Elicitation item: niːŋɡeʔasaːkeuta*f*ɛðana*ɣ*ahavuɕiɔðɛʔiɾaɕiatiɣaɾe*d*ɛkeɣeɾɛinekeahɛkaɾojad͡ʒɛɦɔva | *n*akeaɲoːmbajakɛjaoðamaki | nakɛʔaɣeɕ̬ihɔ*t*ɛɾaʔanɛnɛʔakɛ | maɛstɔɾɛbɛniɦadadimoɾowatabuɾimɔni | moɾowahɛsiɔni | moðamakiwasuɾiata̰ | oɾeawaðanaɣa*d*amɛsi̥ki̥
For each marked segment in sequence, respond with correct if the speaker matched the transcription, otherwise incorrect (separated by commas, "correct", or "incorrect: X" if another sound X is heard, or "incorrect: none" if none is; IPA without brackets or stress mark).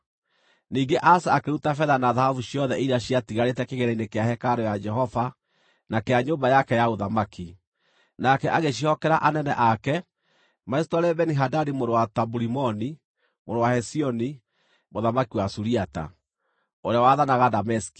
correct, incorrect: ð, incorrect: t, correct, incorrect: k, correct